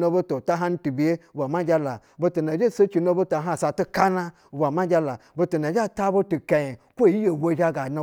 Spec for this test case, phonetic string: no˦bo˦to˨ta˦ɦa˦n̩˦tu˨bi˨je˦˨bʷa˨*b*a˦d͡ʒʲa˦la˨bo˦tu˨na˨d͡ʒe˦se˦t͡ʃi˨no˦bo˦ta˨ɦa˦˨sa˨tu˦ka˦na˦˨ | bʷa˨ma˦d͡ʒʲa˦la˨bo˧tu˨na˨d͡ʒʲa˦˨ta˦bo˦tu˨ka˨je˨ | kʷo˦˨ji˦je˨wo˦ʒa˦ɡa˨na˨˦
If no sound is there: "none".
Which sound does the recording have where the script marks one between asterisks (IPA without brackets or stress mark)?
m